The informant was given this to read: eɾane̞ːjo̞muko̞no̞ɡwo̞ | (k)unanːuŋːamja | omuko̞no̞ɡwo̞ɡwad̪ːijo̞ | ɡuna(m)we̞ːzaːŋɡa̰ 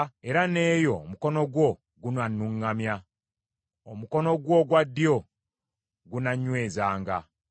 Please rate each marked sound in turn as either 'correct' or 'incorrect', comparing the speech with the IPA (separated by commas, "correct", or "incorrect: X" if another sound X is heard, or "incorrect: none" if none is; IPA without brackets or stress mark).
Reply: incorrect: ɡ, incorrect: ɲ